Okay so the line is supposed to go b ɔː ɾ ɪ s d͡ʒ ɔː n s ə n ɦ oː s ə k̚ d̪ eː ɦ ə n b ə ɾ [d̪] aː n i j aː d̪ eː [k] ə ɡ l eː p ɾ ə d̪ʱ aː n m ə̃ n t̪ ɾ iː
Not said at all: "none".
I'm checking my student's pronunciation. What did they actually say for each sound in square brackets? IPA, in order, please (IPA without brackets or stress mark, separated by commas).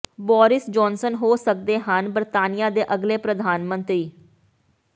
t̪, ʔ